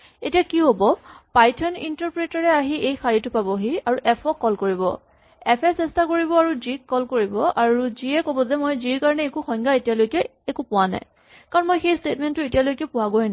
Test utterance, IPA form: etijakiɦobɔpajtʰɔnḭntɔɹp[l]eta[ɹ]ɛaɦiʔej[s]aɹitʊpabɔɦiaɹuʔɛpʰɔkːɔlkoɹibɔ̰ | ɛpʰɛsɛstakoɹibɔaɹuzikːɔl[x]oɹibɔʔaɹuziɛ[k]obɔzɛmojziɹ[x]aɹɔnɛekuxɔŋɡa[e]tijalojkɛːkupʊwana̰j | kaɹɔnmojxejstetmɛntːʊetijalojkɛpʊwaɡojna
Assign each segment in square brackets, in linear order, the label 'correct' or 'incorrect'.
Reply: incorrect, correct, incorrect, incorrect, correct, incorrect, correct

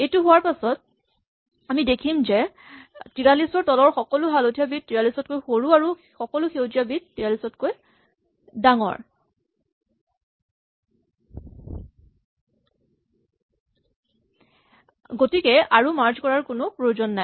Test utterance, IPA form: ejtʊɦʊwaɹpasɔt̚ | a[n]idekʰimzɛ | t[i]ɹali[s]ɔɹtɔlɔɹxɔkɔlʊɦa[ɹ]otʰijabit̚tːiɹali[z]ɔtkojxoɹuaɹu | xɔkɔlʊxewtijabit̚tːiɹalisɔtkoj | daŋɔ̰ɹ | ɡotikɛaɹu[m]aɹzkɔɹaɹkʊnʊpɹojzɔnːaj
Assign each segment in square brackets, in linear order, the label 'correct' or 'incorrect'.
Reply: incorrect, correct, correct, incorrect, incorrect, correct

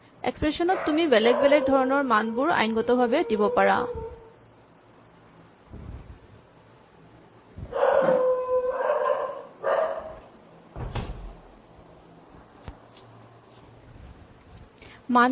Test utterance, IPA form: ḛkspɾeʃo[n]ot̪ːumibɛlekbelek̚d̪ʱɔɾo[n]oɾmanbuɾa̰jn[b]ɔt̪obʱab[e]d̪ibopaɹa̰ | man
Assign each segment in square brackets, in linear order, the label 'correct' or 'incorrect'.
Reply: correct, correct, incorrect, correct

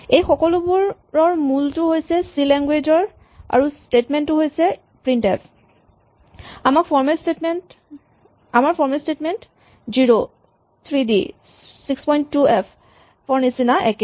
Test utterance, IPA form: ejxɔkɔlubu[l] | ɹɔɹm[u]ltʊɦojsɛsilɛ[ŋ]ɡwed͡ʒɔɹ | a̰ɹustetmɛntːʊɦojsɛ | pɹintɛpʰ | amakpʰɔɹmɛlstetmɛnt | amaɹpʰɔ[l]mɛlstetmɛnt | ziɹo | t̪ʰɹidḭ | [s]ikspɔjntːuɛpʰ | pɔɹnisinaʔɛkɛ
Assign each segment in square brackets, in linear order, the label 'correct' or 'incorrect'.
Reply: incorrect, correct, correct, incorrect, correct

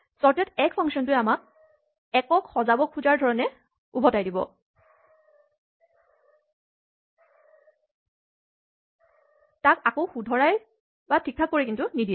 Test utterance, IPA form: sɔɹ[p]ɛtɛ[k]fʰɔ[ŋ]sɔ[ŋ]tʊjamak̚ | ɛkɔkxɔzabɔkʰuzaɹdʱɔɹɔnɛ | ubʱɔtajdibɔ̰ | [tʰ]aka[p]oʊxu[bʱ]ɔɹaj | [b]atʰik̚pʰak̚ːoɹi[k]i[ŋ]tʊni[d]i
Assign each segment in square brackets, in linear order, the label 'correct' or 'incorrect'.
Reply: incorrect, correct, correct, incorrect, incorrect, incorrect, incorrect, correct, correct, incorrect, correct

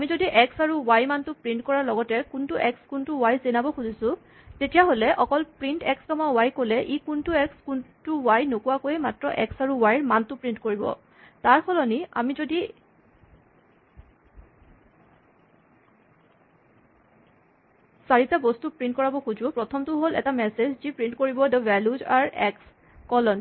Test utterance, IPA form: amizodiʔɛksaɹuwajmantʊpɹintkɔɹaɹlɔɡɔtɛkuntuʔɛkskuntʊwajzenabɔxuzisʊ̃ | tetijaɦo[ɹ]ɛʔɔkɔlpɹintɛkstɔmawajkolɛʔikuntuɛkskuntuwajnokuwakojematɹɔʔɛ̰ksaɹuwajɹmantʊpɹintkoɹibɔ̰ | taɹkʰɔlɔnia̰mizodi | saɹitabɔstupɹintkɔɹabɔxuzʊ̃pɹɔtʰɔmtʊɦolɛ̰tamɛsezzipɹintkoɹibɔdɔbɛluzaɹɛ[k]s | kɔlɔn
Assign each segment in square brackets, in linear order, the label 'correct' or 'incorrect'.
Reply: incorrect, correct

